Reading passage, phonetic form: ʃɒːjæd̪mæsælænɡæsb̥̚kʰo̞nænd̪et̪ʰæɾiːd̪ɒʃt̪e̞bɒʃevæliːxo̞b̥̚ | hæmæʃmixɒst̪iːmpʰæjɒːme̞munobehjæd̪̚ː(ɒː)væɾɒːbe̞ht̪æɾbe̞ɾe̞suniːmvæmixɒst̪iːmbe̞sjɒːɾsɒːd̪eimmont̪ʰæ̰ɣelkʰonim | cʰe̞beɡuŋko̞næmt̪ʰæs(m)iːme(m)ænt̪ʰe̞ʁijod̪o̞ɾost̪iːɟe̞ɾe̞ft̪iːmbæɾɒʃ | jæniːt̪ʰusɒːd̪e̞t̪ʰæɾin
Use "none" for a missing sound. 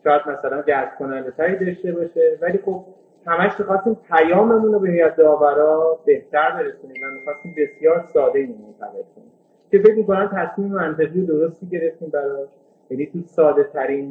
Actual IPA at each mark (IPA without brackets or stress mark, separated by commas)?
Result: ɒː, m, m